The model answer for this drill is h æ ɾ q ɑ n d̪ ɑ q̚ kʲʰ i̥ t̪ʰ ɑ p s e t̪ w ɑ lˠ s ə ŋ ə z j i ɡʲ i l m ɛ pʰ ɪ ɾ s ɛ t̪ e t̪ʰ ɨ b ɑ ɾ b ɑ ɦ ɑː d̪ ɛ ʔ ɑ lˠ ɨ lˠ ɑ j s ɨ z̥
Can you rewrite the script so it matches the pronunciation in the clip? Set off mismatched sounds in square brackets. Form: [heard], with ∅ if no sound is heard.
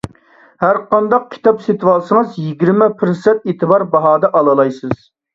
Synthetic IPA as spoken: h æ ɾ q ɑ n d̪ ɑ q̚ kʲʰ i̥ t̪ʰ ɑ p s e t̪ w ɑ lˠ s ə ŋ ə z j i ɡʲ i [ɾ] m ɛ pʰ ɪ ɾ s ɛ t̪ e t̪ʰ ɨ b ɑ ɾ b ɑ ɦ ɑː d̪ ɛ ʔ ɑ lˠ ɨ lˠ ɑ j s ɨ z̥